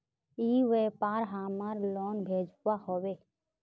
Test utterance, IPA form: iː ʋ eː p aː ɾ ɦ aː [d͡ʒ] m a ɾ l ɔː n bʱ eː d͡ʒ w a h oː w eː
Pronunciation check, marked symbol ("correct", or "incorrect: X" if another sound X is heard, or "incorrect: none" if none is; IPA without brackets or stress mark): incorrect: none